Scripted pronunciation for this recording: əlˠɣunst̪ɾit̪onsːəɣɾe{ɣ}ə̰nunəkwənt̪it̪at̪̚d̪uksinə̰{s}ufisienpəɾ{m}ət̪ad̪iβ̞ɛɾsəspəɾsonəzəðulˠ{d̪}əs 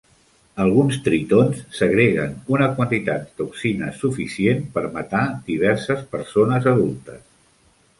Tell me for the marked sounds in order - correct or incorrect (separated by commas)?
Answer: correct, correct, correct, incorrect